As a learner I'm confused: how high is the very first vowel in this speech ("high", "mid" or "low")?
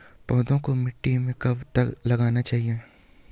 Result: mid